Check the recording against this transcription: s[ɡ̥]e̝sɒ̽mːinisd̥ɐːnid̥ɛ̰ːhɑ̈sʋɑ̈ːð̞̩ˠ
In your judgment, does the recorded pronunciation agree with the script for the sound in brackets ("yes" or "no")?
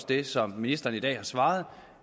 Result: no